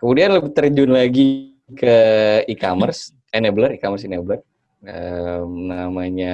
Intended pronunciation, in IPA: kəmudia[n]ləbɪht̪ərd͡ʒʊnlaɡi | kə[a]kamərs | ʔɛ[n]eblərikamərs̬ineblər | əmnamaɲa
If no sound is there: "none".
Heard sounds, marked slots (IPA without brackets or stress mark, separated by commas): n, i, n